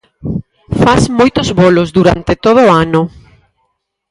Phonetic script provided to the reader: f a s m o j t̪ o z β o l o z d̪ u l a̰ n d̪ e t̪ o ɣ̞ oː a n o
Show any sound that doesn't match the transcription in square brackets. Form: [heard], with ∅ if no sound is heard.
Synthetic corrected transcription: f a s m o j t̪ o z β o l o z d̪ u [ɾ] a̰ n [t̪] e t̪ o [ð̞] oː a n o